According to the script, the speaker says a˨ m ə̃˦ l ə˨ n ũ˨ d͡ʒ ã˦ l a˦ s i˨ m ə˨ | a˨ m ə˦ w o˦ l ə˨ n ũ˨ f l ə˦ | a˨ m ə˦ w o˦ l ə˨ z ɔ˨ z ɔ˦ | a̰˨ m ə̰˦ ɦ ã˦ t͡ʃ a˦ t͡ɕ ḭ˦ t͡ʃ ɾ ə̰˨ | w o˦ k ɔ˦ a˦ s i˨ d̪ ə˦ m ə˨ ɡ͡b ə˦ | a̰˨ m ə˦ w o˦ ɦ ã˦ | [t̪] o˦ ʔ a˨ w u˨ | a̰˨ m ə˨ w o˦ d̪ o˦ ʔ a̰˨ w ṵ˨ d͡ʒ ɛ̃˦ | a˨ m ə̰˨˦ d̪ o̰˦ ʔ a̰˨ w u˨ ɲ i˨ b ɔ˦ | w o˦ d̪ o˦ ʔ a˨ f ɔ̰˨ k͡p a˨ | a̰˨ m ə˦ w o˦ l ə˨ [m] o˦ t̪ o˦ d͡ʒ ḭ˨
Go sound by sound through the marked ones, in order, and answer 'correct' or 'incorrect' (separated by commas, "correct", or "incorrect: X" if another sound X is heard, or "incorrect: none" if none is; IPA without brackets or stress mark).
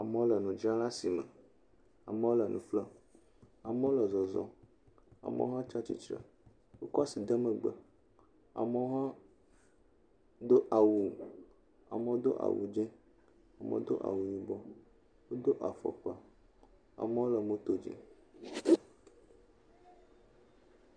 incorrect: d̪, correct